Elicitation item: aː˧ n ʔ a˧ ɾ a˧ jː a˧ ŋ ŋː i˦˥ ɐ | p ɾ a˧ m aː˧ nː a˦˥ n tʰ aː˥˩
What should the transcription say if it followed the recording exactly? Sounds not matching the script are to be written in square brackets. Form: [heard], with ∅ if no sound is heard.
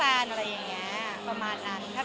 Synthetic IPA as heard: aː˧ n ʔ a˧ ɾ a˧ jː [a˨˩] ŋ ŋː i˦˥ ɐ | p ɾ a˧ m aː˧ nː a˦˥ n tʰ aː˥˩

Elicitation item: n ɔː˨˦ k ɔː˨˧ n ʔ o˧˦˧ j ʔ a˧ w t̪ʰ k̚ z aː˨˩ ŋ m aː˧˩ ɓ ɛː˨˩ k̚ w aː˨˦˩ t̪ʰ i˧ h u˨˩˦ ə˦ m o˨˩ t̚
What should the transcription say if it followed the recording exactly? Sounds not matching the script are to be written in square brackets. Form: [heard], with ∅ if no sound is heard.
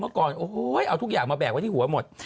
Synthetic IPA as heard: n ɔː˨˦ k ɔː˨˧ n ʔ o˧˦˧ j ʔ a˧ w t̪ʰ k̚ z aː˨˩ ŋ m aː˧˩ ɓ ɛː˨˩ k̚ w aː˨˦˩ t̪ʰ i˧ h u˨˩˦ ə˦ m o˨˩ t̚

